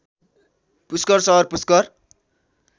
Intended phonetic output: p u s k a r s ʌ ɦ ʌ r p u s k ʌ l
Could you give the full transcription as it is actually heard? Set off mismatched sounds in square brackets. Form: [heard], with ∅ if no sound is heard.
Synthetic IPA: p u s k [ʌ] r s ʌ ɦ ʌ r p u s k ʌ [r]